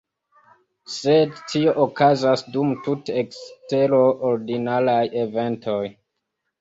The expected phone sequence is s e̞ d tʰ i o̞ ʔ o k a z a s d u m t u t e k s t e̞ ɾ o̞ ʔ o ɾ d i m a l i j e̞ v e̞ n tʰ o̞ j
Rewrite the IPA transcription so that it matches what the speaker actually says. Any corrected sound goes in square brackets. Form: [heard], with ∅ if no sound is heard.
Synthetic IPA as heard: s e̞ d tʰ i o̞ ʔ o k a z a s d u m t u t e k s t e̞ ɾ o̞ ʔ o ɾ d i [n] a l [a] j e̞ v e̞ n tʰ o̞ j